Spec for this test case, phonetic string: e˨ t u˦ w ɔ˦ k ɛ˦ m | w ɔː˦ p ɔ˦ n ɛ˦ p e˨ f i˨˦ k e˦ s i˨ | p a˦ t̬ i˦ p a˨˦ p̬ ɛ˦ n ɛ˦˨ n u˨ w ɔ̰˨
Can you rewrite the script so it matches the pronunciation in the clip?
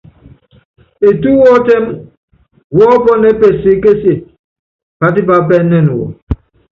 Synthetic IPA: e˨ t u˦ w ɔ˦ t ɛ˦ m | w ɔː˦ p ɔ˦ n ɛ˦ p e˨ s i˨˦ k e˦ s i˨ | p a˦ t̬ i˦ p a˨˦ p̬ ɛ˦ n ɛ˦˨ n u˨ w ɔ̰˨

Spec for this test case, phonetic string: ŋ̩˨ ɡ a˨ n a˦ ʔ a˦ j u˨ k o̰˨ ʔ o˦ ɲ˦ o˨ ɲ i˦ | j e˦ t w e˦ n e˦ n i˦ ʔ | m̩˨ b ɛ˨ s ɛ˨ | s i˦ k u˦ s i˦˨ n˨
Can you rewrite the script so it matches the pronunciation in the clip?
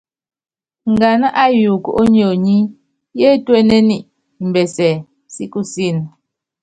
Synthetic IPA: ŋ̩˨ ɡ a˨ n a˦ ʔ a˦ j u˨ k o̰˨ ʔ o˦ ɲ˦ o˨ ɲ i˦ | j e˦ t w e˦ n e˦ n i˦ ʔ | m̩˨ b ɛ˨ s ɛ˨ | s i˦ k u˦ s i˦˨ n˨

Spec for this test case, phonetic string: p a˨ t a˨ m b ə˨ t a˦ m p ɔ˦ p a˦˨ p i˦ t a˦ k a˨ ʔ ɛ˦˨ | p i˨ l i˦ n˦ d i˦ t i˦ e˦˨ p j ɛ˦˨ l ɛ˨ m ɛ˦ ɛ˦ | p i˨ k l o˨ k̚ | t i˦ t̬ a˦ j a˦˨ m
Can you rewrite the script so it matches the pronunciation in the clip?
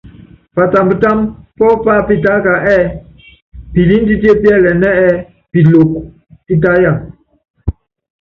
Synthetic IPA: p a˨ t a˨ m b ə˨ t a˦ m p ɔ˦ p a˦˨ p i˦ t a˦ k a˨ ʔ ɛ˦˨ | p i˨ l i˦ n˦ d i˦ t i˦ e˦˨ p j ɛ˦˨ l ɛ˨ n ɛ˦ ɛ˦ | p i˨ l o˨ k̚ | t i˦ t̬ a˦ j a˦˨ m

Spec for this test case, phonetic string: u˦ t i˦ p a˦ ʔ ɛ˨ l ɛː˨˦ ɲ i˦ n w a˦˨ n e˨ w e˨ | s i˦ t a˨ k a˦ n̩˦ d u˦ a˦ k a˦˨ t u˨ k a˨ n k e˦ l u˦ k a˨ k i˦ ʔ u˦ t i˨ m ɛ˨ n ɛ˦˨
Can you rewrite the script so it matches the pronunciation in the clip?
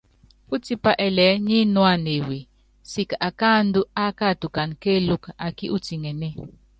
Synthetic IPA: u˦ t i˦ p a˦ ʔ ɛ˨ l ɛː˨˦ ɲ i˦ n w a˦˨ n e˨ w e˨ | s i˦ k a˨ k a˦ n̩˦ d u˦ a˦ k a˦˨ t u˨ k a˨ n k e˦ l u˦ k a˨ k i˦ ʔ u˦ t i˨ ŋ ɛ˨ n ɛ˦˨

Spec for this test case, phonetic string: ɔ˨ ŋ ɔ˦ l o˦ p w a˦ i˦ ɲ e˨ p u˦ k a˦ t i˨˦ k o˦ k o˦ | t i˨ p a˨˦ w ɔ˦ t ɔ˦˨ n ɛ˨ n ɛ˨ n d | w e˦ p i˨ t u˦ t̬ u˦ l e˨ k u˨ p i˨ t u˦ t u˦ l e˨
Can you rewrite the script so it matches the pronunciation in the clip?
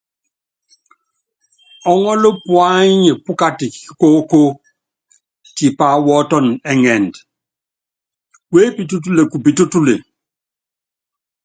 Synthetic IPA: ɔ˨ ŋ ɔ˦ l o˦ p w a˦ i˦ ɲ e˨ p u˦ k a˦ t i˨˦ k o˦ k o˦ | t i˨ p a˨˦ w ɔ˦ t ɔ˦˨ n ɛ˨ ŋ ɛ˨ n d | w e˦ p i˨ t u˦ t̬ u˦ l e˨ k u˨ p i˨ t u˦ t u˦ l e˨

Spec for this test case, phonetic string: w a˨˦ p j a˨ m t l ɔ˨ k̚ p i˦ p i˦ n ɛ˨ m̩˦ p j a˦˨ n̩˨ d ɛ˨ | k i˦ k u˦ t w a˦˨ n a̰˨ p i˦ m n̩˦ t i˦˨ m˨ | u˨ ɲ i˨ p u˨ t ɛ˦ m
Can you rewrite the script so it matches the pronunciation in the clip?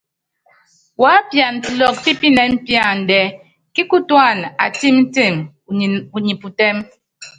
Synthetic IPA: w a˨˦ p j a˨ n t l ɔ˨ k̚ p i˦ p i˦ n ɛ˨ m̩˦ p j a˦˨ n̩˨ d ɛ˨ | k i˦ k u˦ t w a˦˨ n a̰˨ t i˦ m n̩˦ t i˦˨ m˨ | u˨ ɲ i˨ p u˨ t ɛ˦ m

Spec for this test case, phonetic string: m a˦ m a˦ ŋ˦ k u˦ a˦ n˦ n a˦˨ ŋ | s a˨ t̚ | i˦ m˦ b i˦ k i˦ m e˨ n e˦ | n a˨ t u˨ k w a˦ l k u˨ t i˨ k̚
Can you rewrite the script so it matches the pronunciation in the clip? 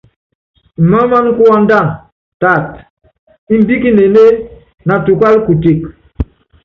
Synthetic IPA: m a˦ m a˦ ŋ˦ k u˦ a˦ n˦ d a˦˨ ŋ | t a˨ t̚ | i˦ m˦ b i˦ k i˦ n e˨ n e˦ | n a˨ t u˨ k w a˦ l k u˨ t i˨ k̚

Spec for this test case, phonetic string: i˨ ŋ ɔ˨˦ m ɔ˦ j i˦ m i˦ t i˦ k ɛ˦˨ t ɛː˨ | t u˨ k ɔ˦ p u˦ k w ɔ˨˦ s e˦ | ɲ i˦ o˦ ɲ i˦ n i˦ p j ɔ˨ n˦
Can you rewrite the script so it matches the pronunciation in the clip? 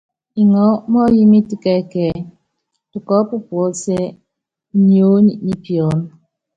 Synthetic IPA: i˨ ŋ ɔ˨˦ m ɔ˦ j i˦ m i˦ t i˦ k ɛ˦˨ k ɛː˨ | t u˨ k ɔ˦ p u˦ p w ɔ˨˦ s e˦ | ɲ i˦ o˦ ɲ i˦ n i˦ p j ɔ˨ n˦

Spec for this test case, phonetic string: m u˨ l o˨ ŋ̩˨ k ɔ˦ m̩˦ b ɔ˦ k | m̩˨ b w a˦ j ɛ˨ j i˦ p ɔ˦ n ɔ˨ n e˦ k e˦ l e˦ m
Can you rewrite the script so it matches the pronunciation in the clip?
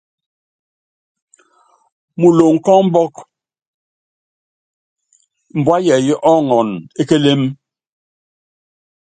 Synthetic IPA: m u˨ l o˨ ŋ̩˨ k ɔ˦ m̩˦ b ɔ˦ k | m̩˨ b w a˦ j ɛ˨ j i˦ ʔ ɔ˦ ŋ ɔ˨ n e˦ k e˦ l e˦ m

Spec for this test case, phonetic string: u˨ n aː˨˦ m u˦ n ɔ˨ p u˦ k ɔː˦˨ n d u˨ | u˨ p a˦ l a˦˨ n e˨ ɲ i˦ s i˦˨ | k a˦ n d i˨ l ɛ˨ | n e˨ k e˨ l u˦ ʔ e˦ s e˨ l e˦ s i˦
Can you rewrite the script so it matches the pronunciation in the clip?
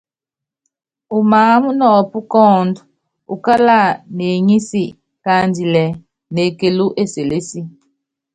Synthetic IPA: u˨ m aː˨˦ m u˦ n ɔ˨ p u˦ k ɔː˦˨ n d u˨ | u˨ k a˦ l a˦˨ n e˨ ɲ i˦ s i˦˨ | k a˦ n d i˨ l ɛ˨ | n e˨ k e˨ l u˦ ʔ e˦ s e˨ l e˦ s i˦

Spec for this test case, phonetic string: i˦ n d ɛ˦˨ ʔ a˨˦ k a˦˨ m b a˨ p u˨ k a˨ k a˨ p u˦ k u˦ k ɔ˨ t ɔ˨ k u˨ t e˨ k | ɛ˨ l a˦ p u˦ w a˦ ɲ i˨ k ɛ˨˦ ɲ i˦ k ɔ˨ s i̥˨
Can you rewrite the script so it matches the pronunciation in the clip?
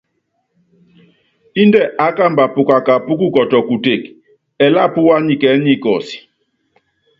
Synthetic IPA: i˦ n d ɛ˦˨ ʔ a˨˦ k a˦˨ m b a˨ p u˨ k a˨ k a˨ p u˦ k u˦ k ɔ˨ t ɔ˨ k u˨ t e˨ k | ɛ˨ l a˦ p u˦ w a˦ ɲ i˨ k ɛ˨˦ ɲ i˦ k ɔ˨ s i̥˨

